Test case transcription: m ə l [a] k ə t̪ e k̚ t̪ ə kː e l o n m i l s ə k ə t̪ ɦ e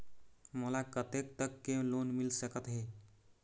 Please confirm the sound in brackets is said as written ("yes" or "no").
yes